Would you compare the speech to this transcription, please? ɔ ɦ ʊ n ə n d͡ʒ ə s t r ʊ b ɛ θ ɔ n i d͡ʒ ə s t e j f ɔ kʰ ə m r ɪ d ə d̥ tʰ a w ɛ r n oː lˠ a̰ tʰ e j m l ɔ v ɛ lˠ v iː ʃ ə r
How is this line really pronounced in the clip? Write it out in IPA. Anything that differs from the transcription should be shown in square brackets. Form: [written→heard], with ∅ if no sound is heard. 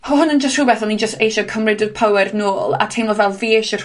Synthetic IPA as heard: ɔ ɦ ʊ n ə n d͡ʒ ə s t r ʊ b ɛ θ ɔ n i d͡ʒ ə s t e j [f→ʃ] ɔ kʰ ə m r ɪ d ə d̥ [tʰ→pʰ] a w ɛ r n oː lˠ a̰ tʰ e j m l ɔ v ɛ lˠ v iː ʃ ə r